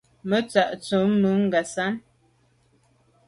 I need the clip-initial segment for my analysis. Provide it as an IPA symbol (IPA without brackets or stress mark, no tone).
m